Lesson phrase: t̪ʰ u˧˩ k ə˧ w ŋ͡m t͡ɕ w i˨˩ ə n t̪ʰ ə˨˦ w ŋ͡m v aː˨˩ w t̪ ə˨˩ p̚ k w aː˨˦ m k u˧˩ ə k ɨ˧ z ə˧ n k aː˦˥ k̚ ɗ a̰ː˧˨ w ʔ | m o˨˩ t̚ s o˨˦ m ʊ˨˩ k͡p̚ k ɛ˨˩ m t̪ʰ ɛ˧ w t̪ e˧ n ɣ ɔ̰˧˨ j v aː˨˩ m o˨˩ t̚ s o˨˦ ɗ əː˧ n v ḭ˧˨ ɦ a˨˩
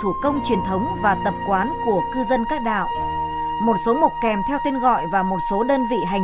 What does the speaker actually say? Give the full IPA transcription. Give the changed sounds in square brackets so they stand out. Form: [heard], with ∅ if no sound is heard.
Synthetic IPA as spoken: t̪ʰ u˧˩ k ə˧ w ŋ͡m t͡ɕ w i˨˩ ə n t̪ʰ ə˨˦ w ŋ͡m v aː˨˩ [∅] t̪ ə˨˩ p̚ k w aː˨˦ [n] k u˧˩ ə k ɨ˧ z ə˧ n k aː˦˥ k̚ ɗ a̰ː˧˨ w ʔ | m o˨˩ t̚ s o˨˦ m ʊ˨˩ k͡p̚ k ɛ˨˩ m t̪ʰ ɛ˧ w t̪ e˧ n ɣ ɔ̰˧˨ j v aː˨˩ m o˨˩ t̚ s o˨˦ ɗ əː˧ n v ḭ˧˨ ɦ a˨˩

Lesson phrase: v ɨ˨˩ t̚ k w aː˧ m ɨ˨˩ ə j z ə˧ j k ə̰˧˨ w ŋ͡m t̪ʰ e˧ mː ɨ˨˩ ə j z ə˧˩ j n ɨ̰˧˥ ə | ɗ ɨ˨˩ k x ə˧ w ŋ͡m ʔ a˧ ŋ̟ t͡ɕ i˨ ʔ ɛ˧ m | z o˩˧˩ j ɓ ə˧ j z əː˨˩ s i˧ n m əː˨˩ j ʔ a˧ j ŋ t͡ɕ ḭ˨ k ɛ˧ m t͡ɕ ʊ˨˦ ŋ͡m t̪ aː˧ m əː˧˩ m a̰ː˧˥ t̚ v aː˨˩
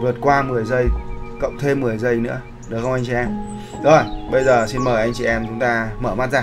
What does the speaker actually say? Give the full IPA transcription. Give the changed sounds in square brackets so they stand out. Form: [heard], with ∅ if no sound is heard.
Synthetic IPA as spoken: v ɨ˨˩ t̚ k w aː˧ m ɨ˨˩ ə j z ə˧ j k ə̰˧˨ w ŋ͡m t̪ʰ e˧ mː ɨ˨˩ ə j z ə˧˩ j n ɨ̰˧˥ ə | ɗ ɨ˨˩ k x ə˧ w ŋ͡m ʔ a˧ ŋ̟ t͡ɕ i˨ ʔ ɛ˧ m | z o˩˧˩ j ɓ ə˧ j z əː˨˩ s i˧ n m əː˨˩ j ʔ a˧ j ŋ t͡ɕ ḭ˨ [ʔ] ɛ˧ m t͡ɕ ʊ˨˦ ŋ͡m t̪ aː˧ m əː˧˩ m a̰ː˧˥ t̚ [z] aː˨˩

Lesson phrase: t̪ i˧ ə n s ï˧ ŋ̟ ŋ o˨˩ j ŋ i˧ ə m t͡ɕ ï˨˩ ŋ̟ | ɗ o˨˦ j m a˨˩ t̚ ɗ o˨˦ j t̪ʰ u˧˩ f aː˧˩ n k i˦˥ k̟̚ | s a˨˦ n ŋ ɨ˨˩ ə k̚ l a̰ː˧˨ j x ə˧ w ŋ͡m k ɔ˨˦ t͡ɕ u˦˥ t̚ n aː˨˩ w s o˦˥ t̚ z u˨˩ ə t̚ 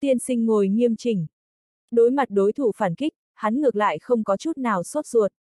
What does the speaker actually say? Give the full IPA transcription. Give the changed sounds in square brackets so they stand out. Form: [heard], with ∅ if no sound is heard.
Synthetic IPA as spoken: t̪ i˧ ə n s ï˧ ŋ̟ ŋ o˨˩ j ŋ i˧ ə m t͡ɕ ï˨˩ ŋ̟ | ɗ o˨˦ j m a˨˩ t̚ ɗ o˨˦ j t̪ʰ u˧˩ f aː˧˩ n k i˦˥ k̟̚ | [h] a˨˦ n ŋ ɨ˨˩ ə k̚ l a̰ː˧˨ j x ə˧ w ŋ͡m k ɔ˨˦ t͡ɕ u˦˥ t̚ n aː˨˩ w s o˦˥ t̚ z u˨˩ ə t̚

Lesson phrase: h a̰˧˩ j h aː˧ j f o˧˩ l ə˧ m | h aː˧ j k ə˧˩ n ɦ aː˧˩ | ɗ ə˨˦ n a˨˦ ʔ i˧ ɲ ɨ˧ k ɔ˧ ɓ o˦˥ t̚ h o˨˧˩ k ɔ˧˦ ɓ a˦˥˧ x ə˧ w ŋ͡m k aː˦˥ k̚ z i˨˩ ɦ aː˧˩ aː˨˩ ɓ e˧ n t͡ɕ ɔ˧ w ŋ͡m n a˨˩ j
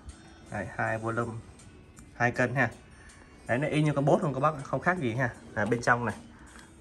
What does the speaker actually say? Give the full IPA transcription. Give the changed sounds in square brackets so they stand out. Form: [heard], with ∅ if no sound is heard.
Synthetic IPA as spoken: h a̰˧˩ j h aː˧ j [v] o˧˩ l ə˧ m | h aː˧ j k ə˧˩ n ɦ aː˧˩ | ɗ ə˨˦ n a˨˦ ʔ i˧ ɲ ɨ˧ k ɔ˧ ɓ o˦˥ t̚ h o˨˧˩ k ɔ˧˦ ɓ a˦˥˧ x ə˧ w ŋ͡m [x] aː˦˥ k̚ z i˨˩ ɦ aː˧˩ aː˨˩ ɓ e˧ n t͡ɕ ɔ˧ w ŋ͡m n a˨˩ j

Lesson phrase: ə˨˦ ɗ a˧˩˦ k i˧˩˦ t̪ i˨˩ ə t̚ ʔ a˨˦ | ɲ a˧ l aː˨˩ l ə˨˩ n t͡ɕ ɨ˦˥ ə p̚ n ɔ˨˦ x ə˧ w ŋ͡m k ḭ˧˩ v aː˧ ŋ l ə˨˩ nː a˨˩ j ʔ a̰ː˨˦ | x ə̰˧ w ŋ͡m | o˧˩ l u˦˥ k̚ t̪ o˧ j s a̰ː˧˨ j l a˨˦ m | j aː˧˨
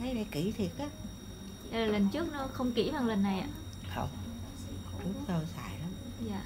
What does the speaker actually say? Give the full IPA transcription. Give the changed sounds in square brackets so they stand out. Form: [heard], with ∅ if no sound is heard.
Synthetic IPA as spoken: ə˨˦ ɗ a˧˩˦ k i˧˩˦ [t̪ʰ] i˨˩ ə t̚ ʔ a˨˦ | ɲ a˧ l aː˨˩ l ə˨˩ n t͡ɕ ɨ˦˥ ə [k̚] n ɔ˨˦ x ə˧ w ŋ͡m k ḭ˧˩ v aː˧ ŋ l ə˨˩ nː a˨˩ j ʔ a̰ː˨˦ | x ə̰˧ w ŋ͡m | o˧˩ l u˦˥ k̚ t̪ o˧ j s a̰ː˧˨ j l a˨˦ m | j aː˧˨

